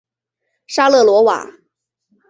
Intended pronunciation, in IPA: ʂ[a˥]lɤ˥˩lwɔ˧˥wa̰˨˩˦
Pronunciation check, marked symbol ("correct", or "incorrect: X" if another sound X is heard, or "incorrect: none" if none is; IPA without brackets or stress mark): correct